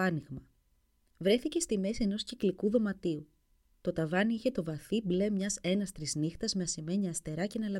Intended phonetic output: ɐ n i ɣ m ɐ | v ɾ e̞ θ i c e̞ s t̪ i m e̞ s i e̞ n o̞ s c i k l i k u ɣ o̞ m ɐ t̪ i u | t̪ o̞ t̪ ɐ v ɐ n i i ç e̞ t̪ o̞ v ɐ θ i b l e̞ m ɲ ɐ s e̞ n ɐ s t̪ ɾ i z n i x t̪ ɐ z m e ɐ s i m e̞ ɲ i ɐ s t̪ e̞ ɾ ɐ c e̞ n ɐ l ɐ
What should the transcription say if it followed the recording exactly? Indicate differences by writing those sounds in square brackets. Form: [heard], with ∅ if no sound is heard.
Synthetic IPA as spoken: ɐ n i ɣ m ɐ | v ɾ e̞ θ i c e̞ s t̪ i m e̞ s i e̞ n o̞ s c i k l i k u [ð] o̞ m ɐ t̪ i u | t̪ o̞ t̪ ɐ v ɐ n i i ç e̞ t̪ o̞ v ɐ θ i b l e̞ m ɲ ɐ s e̞ n ɐ s t̪ ɾ i z n i x t̪ ɐ z m e ɐ s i m e̞ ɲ i ɐ s t̪ e̞ ɾ ɐ c e̞ n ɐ l ɐ